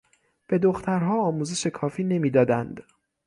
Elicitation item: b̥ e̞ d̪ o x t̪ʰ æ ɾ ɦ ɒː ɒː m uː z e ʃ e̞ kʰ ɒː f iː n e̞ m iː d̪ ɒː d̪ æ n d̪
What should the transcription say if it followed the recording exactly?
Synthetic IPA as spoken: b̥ e̞ d̪ o x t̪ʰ æ ɾ ɦ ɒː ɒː m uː z e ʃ e̞ kʰ ɒː f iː n e̞ m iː d̪ ɒː d̪ æ n d̪